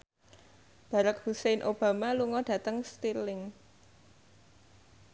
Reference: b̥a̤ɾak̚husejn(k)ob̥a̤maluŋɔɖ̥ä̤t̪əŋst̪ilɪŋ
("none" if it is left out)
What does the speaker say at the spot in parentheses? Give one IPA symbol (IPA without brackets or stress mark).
ʔ